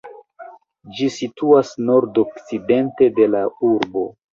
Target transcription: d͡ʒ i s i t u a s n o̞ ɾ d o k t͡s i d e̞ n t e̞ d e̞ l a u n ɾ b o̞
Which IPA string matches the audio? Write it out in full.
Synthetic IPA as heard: d͡ʒ i s i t u a s n o̞ ɾ d o k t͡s i d e̞ n t e̞ d e̞ l a u ɾ b o̞